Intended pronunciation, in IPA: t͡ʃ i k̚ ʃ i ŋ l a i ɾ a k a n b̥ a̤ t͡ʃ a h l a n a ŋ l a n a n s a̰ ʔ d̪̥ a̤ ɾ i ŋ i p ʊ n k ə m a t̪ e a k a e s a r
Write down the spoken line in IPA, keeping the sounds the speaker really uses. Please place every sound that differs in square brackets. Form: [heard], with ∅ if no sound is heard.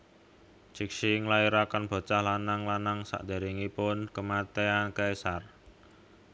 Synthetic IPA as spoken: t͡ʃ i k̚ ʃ i ŋ l a i ɾ a k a n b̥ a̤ t͡ʃ a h l a n a ŋ l a n a [ŋ] s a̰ ʔ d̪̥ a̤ ɾ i ŋ i p ʊ n k ə m a t̪ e a k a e s a r